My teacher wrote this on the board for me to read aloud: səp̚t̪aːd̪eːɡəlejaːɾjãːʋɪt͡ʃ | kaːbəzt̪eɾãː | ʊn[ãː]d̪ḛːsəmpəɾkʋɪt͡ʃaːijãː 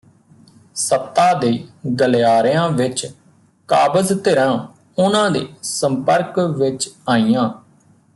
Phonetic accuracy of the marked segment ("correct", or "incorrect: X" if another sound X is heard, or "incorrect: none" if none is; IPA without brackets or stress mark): correct